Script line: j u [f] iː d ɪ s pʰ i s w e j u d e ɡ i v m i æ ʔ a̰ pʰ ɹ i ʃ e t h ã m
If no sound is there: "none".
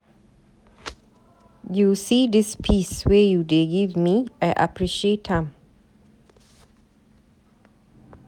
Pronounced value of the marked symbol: s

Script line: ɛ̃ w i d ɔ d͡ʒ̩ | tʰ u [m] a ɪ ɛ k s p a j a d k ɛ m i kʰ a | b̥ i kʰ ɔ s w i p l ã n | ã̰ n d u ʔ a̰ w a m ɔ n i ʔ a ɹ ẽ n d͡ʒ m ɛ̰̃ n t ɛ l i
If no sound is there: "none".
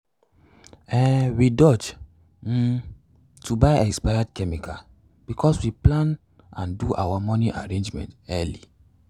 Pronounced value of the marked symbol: b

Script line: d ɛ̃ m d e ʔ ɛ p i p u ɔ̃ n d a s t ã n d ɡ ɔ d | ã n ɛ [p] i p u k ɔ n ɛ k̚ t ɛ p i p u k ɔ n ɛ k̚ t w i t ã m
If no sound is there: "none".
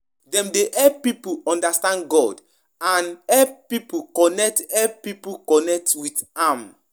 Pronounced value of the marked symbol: p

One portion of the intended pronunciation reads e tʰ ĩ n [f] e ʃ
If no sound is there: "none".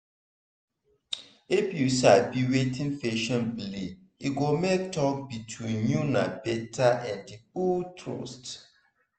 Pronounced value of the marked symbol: f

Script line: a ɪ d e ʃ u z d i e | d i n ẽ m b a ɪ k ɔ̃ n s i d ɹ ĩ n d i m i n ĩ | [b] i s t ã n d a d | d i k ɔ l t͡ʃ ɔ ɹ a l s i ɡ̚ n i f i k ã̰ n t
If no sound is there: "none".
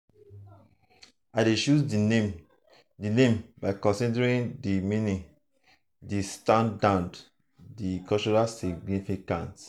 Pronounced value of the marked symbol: d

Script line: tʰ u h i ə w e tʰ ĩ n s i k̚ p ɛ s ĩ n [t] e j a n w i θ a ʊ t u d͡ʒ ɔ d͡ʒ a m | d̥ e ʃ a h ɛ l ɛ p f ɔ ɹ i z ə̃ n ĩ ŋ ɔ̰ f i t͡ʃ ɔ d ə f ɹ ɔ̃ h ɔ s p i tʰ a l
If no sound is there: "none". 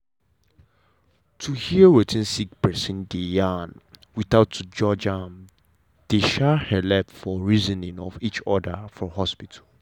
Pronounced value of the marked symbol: d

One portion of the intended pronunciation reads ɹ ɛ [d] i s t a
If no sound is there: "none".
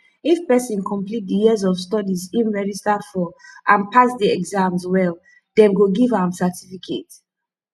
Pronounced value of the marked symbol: d͡ʒ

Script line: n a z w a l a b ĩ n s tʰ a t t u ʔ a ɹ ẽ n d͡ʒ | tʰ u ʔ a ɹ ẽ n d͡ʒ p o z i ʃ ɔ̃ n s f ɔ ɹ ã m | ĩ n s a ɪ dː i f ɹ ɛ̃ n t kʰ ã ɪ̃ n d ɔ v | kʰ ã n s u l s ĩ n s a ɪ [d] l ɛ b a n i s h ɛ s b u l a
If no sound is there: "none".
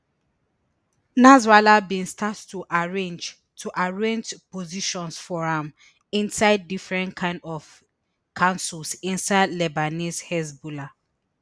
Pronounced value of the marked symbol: d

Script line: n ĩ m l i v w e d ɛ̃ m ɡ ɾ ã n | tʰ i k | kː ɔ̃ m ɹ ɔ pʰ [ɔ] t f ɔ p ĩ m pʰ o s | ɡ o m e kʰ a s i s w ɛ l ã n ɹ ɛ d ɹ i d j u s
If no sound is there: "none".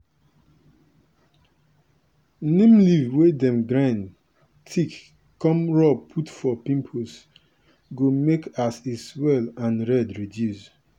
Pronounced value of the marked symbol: u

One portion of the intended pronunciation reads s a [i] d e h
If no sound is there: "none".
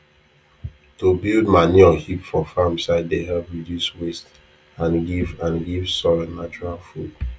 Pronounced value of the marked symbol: ɪ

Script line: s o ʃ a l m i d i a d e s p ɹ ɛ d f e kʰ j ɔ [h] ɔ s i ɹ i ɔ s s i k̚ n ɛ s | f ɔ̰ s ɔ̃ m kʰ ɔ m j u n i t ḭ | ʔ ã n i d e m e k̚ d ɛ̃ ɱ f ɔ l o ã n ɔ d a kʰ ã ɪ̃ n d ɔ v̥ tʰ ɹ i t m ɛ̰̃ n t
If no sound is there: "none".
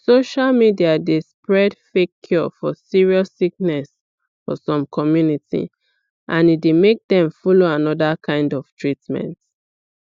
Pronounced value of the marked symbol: f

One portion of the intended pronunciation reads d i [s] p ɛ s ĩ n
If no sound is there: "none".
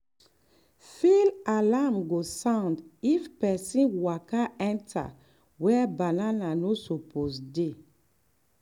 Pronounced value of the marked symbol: f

